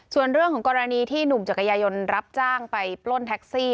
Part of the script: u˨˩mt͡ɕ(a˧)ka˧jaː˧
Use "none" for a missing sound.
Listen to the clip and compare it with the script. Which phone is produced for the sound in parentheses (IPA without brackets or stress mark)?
a˨˩